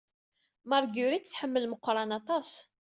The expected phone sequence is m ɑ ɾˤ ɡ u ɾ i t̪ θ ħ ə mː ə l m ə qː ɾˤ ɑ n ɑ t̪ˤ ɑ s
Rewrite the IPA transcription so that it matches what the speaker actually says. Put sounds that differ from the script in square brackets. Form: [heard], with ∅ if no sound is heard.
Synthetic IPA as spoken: m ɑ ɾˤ ɡ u ɾ i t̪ θ ħ ə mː ə l m ə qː ɾˤ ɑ n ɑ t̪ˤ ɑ s